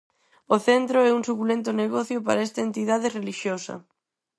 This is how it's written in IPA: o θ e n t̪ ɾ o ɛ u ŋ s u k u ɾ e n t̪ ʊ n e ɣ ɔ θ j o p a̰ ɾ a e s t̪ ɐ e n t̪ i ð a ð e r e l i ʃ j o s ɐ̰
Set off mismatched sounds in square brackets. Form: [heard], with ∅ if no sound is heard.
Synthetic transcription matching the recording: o θ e n t̪ ɾ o ɛ u ŋ s u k u [l] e n t̪ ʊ n e ɣ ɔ θ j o p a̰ ɾ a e s t̪ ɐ e n t̪ i ð a ð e r e l i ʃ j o s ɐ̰